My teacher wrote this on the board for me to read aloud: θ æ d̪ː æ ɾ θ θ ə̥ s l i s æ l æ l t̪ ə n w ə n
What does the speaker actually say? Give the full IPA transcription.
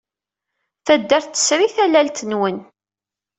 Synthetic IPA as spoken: θ æ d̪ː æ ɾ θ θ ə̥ s ɾ i θ æ l æ l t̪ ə n w ə n